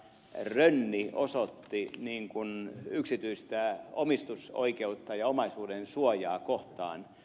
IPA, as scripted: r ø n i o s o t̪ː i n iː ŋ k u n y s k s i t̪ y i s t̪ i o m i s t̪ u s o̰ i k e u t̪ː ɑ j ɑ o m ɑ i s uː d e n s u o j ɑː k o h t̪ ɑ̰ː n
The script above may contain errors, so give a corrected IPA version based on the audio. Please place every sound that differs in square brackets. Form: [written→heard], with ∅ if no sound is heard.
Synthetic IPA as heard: r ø [n→nː] i o s o t̪ː i n iː ŋ k u n y [s→∅] k s i t̪ y i s t̪ [i→æ] o m i s t̪ u s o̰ i k e u t̪ː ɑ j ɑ o m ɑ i s uː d e n s u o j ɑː k o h t̪ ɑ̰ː n

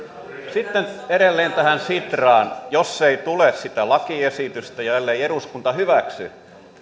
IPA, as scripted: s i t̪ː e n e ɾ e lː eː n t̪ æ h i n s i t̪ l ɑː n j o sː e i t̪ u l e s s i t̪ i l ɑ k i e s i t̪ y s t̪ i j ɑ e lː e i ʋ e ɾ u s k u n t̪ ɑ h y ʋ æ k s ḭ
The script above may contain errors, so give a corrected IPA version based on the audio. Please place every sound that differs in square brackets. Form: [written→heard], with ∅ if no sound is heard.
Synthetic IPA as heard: s i t̪ː e n e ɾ e lː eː n t̪ æ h [i→æ] n s i t̪ [l→r] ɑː n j o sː e i t̪ u l e s s i t̪ [i→æ] l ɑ k i e s i t̪ y s t̪ [i→æ] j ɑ e lː e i [ʋ→∅] e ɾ u s k u n t̪ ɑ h y ʋ æ k s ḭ

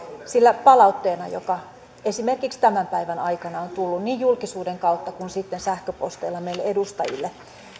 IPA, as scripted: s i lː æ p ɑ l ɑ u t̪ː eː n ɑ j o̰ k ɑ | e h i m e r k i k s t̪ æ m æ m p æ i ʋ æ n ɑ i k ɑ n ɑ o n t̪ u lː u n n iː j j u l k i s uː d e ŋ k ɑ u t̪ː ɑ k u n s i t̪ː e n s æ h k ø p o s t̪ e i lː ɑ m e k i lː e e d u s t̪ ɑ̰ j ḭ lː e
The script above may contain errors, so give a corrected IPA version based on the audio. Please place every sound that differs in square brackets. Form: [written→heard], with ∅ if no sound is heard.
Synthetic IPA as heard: s i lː æ p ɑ l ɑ u t̪ː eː n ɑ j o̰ k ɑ | e [h→s] i m e r k i k s t̪ æ m æ m p æ i ʋ æ n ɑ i k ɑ n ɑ o n t̪ u lː u n n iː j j u l k i s uː d e ŋ k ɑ u t̪ː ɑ k u n s i t̪ː e n s æ h k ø p o s t̪ e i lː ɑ m e [k→∅] i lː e e d u s t̪ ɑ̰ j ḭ lː e

